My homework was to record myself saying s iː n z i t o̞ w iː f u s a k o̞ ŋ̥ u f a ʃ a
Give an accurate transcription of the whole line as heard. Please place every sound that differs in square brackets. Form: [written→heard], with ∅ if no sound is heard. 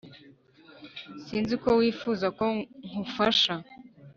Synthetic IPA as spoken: s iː n z i [t→k] o̞ w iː f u [s→z] a k o̞ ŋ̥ u f a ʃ a